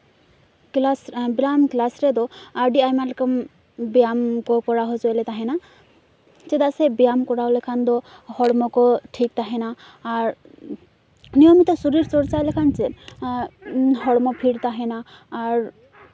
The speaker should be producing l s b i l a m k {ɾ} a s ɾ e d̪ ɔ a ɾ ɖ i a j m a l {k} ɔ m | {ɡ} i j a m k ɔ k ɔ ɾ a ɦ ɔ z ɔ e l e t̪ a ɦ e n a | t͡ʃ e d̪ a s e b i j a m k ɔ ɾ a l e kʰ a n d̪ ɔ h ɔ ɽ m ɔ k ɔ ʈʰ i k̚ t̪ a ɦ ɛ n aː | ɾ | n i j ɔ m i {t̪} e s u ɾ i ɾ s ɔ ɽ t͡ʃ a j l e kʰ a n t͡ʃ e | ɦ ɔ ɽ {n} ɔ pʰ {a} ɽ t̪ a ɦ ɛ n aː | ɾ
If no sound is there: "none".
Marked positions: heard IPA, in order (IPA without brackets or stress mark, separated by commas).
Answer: l, k, b, t̪, m, i